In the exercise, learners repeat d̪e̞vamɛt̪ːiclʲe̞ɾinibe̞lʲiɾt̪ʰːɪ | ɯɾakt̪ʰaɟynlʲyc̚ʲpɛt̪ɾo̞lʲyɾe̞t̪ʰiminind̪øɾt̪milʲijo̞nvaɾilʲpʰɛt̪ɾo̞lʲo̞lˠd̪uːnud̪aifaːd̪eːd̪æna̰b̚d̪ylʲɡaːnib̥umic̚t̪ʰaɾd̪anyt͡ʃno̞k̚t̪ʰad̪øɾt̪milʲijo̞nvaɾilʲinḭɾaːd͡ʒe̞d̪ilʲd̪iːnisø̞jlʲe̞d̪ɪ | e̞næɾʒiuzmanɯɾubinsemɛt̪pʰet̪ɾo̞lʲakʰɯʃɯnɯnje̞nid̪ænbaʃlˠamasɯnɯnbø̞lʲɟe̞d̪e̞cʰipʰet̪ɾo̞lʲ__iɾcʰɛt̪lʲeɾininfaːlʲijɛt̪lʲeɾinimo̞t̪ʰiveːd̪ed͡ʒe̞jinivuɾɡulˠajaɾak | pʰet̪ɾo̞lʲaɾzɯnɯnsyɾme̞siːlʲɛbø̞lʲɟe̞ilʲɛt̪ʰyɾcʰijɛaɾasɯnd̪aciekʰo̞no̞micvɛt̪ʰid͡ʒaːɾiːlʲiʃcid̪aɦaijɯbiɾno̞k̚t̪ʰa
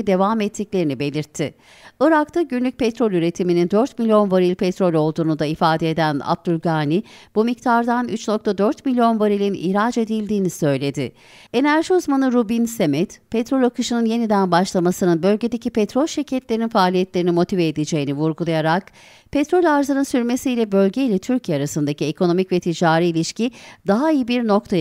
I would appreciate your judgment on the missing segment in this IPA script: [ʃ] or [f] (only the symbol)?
ʃ